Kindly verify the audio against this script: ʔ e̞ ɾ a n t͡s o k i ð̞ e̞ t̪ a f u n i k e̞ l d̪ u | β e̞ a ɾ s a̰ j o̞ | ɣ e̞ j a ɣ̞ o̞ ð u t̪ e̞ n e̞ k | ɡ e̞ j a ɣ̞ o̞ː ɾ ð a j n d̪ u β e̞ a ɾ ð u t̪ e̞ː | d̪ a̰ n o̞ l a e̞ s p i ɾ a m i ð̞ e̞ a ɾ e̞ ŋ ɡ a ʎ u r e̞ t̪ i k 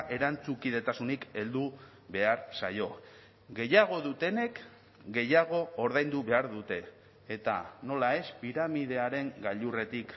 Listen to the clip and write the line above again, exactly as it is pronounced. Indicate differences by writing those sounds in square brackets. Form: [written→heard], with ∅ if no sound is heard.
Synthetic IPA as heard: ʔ e̞ ɾ a n t͡s [o→u] k i ð̞ e̞ t̪ a [f→s] u n i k e̞ l d̪ u | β e̞ a ɾ s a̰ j o̞ | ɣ e̞ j a ɣ̞ o̞ ð u t̪ e̞ n e̞ k | ɡ e̞ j a ɣ̞ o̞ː ɾ ð a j n d̪ u β e̞ a ɾ ð u t̪ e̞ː | [d̪→t̪] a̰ n o̞ l a e̞ s p i ɾ a m i ð̞ e̞ a ɾ e̞ ŋ ɡ a ʎ u r e̞ t̪ i k